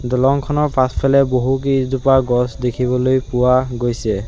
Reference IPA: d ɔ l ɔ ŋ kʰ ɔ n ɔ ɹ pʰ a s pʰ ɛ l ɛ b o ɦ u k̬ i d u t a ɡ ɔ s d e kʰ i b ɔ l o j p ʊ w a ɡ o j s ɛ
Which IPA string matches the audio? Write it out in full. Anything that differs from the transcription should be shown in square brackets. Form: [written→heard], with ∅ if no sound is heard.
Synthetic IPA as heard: d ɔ l ɔ ŋ kʰ ɔ n ɔ ɹ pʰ a s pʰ ɛ l ɛ b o ɦ u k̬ i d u [t→p] a ɡ ɔ s d e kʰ i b ɔ l o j p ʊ w a ɡ o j s ɛ